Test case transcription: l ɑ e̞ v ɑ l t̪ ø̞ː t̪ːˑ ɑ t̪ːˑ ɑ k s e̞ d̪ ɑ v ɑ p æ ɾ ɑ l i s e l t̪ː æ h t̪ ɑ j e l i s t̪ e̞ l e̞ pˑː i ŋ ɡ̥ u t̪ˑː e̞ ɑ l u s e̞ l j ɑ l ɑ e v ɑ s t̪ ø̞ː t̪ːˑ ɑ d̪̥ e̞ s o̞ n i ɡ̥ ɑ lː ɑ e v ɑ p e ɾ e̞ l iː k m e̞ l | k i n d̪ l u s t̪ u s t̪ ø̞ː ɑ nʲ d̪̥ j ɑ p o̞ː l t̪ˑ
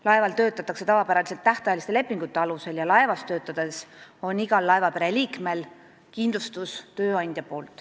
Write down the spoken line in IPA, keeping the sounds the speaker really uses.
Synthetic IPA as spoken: l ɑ e̞ v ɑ l t̪ ø̞ː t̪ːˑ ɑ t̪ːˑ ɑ k s e̞ t̪ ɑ v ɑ p æ ɾ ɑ l i s e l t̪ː æ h t̪ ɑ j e l i s t̪ e̞ l e̞ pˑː i ŋ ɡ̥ u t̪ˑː e̞ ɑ l u s e̞ l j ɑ l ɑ e v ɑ s t̪ ø̞ː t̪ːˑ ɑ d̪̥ e̞ s o̞ n i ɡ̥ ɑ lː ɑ e v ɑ p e ɾ e̞ l iː k m e̞ l | k i n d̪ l u s t̪ u s t̪ ø̞ː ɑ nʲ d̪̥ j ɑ p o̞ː l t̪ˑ